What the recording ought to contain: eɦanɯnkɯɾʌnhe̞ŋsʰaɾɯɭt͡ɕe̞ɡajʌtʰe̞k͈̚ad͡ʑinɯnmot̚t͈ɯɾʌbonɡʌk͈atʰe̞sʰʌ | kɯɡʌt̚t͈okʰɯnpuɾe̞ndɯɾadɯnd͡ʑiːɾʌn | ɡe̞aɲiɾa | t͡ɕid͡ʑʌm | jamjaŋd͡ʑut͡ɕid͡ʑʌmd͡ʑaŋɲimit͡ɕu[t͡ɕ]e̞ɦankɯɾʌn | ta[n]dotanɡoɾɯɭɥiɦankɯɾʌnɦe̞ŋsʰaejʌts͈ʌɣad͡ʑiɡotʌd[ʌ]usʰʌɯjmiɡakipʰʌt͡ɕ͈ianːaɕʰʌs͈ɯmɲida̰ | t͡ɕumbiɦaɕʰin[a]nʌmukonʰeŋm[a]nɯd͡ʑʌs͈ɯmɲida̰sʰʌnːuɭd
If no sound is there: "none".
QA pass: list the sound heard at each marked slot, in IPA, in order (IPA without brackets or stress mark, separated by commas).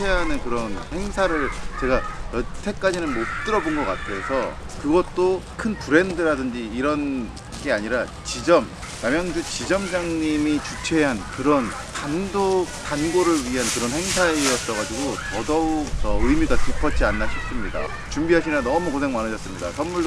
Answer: t͡ɕʰ, n, ʌ, a, a